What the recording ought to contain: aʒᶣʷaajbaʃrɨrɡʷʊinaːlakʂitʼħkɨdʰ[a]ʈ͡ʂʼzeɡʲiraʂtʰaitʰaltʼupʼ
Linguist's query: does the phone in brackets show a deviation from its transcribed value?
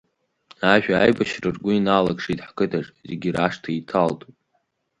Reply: no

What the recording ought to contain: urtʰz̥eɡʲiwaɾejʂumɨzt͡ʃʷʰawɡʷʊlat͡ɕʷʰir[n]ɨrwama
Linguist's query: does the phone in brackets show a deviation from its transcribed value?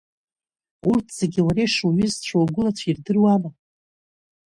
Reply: yes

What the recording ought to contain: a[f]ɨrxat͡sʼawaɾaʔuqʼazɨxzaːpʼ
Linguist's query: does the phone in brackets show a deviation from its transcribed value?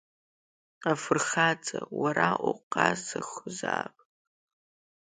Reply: no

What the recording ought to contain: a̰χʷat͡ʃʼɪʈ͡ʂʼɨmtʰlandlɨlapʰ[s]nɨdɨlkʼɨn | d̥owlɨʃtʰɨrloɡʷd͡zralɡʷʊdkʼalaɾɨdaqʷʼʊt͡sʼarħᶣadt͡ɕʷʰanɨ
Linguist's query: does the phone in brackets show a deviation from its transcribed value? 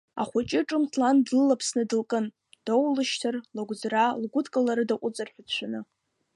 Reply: no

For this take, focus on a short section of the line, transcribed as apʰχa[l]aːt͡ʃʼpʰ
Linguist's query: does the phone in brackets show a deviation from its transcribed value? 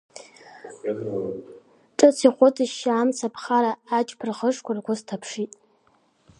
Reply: yes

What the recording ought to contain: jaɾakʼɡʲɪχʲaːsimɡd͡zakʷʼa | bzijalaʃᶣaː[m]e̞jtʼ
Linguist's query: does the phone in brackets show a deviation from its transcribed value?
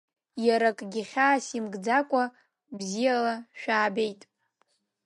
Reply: yes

